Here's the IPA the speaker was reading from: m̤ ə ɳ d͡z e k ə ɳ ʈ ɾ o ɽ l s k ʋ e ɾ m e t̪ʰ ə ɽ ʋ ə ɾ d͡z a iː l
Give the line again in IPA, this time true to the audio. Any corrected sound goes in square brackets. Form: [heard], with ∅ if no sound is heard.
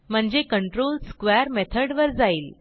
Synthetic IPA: m̤ ə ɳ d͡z e k ə ɳ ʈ ɾ o [∅] l s k ʋ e ɾ m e t̪ʰ ə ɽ ʋ ə ɾ d͡z a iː l